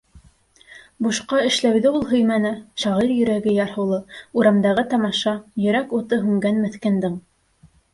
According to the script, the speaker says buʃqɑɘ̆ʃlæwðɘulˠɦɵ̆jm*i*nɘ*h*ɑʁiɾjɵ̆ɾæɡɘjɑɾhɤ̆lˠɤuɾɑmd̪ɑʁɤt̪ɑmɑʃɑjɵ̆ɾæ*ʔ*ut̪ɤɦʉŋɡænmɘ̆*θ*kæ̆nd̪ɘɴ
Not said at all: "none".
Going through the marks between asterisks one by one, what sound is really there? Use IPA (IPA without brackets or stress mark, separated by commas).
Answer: æ, ʃ, k, θ